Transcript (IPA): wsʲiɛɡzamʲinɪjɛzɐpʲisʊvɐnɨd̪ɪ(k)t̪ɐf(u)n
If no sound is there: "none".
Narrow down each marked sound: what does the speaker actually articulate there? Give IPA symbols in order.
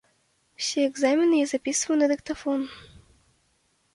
k, ɔ

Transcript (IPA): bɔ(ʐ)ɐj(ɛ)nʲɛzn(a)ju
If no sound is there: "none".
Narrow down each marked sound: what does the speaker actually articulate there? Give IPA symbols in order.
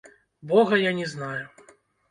ɣ, a, a

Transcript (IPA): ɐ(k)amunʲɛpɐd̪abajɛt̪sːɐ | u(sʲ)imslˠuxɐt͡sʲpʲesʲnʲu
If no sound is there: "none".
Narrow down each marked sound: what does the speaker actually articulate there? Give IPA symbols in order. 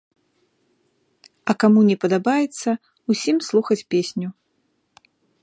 k, sʲ

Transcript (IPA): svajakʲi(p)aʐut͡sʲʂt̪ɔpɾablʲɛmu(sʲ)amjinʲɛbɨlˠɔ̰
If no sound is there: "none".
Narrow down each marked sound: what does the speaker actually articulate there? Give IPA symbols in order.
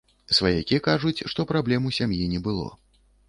k, sʲ

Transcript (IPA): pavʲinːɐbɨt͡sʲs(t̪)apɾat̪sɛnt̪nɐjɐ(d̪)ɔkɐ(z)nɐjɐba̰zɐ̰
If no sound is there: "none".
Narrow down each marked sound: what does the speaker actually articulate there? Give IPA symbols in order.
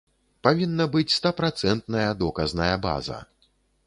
t̪, d̪, z

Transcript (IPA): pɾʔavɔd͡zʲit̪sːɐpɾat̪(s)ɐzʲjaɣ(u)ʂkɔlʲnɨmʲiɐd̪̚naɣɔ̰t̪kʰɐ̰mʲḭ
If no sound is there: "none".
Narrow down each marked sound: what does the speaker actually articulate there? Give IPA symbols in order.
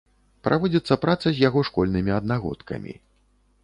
s, ɔ

